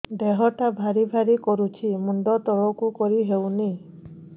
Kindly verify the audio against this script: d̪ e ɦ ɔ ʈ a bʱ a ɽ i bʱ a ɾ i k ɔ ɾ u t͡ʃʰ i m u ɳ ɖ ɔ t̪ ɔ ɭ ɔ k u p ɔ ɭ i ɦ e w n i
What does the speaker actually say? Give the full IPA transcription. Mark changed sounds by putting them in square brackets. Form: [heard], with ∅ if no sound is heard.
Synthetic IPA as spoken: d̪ e ɦ ɔ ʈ a bʱ a [ɾ] i bʱ a ɾ i k ɔ ɾ u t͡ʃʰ i m u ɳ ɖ ɔ t̪ ɔ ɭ ɔ k u [k] ɔ [ɾ] i ɦ e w n i

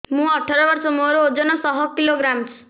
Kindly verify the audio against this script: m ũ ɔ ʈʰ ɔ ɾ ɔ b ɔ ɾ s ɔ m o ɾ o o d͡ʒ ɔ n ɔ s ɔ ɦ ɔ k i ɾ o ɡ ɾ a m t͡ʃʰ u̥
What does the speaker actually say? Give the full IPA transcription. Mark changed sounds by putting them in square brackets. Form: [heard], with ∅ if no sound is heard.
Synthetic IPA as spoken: m ũ ɔ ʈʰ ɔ ɾ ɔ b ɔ ɾ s ɔ m o ɾ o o d͡ʒ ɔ n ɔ s ɔ ɦ ɔ k i [l] o ɡ ɾ a m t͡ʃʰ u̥

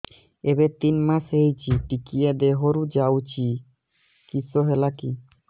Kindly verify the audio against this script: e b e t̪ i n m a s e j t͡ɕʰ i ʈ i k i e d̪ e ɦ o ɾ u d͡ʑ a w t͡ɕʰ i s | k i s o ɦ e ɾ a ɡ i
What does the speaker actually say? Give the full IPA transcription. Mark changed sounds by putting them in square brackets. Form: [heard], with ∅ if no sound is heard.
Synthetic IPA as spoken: e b e t̪ i n m a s e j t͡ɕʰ i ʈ i k i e d̪ e ɦ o ɾ u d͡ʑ a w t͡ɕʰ i [∅] | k i s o ɦ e [l] a [k] i

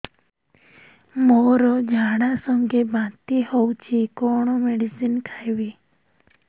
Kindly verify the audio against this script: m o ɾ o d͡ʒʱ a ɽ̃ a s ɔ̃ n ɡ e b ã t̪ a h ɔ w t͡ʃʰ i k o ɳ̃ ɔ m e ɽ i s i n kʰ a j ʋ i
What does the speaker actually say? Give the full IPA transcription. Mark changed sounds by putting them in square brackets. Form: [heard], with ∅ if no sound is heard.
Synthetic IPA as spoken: m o ɾ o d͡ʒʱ a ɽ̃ a s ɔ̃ [ŋ] ɡ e b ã t̪ [i] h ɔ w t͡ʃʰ i k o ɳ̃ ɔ m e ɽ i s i n kʰ a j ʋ i

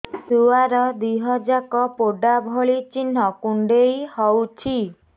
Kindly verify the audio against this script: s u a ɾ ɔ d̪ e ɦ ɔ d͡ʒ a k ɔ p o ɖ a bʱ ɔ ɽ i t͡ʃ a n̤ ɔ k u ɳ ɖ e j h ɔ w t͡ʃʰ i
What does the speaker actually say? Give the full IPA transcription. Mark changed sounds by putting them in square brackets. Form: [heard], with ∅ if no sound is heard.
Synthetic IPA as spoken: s u a ɾ ɔ d̪ [i] ɦ ɔ d͡ʒ a k ɔ p o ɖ a bʱ ɔ [ɭ] i t͡ʃ [i] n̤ ɔ k u ɳ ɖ e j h ɔ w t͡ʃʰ i

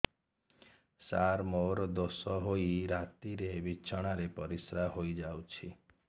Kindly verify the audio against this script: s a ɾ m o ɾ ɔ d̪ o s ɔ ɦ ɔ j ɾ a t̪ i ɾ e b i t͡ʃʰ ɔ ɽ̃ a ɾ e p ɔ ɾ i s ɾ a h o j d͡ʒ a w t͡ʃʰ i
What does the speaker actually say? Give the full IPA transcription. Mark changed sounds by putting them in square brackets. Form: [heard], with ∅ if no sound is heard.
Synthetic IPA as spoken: s a ɾ m o ɾ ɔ d̪ o s ɔ ɦ [o] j ɾ a t̪ i ɾ e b i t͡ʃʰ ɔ ɽ̃ a ɾ e p ɔ ɾ i s ɾ a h o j d͡ʒ a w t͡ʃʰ i

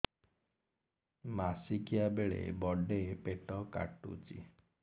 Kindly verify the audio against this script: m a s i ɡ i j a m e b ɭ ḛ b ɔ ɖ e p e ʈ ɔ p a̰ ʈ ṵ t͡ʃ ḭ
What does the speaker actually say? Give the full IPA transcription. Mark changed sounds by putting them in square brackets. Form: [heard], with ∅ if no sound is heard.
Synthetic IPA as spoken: m a s i [k] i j a [b] e [∅] ɭ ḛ b ɔ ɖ e p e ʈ ɔ [k] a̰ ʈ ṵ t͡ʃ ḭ

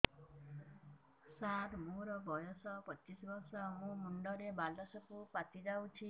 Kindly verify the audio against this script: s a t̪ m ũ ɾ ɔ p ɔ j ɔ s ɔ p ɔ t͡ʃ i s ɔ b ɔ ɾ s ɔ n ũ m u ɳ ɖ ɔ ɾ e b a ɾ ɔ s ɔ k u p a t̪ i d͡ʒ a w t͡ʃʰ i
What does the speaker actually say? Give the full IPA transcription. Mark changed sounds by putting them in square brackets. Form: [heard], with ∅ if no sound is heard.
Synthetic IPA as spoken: s a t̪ m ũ ɾ ɔ [b] ɔ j ɔ s ɔ p ɔ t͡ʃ i s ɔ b ɔ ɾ s ɔ [m] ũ m u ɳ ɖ ɔ ɾ e b a [l] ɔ s ɔ k u p a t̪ i d͡ʒ a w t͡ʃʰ i

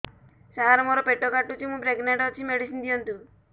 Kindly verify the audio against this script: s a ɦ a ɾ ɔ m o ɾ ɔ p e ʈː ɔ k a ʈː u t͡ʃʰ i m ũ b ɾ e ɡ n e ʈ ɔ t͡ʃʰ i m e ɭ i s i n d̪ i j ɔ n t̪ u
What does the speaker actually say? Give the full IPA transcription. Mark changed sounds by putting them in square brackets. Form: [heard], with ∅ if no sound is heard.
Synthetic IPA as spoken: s a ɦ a ɾ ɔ m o ɾ ɔ p e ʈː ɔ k a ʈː u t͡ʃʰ i m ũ b ɾ e ɡ n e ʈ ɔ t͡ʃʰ i m e [ɽ] i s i n d̪ i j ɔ n t̪ u

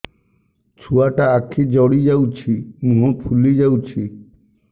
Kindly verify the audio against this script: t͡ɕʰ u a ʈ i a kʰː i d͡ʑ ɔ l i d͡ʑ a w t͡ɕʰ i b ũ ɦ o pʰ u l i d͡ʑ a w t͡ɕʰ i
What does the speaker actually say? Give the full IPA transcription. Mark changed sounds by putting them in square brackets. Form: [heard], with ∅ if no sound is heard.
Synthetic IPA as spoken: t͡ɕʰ u a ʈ [a] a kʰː i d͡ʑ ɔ [ɽ] i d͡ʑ a w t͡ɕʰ i [m] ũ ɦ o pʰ u l i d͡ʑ a w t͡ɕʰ i

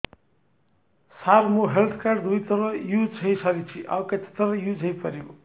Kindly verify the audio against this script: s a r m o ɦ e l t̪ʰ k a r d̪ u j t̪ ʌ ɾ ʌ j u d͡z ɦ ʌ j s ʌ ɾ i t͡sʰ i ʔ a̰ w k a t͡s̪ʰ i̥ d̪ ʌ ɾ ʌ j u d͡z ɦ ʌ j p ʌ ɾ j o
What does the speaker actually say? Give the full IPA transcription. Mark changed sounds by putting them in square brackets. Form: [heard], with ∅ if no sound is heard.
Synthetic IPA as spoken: s a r m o ɦ e l t̪ʰ k a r d̪ u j t̪ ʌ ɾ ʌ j u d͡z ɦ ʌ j s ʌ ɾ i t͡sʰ i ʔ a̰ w k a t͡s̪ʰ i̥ [t̪] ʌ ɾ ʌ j u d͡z ɦ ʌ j p ʌ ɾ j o

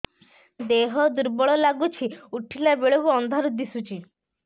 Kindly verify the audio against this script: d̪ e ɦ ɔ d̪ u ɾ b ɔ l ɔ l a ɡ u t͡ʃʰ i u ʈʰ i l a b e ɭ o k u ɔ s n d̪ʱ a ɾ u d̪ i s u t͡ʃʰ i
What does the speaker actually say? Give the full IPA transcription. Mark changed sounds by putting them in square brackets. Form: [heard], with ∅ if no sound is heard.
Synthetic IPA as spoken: d̪ e ɦ ɔ d̪ u ɾ b ɔ [ɭ] ɔ l a ɡ u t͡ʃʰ i u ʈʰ i l a b e ɭ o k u ɔ [∅] n d̪ʱ a ɾ u d̪ i s u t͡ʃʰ i

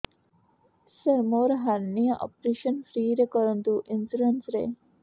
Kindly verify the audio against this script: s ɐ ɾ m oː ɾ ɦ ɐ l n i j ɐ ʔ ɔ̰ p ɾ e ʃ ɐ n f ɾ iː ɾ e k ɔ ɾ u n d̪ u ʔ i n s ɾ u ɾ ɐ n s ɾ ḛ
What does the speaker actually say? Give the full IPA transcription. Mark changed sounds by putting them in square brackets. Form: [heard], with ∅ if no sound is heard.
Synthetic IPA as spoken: s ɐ ɾ m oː ɾ ɦ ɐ [ɾ] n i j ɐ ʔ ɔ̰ p ɾ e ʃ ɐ n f ɾ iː ɾ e k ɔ ɾ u n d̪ u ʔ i n s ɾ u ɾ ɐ n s ɾ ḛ

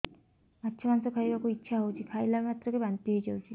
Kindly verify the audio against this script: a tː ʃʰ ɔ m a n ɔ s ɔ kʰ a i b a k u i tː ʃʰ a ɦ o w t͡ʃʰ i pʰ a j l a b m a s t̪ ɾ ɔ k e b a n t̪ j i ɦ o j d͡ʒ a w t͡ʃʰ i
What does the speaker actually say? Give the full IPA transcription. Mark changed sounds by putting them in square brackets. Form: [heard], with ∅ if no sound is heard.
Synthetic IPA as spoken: a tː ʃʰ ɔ m a n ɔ s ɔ kʰ a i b a k u i tː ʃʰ a ɦ o w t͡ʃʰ i [kʰ] a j l a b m a [∅] t̪ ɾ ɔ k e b a n t̪ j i ɦ o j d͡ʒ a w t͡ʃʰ i

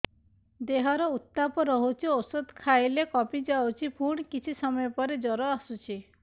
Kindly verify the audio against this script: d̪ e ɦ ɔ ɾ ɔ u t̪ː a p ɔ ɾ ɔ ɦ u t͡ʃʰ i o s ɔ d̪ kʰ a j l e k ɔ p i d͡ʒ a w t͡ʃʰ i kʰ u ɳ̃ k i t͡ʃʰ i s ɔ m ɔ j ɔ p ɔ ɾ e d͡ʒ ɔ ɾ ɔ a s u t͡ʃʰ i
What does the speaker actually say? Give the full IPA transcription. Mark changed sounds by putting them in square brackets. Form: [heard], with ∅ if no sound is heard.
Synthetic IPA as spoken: d̪ e ɦ ɔ ɾ ɔ u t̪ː a p ɔ ɾ ɔ ɦ u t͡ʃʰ i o s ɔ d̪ kʰ a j l e k ɔ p i d͡ʒ a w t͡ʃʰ i [pʰ] u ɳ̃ k i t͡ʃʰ i s ɔ m ɔ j ɔ p ɔ ɾ e d͡ʒ ɔ ɾ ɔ a s u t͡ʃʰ i

